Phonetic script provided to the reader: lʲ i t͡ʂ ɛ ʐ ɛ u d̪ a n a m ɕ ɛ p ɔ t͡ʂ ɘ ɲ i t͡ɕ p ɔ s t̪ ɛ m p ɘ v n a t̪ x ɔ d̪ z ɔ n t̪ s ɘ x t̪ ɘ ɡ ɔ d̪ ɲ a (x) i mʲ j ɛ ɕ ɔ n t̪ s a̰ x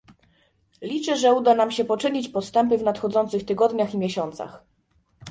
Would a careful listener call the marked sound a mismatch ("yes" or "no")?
no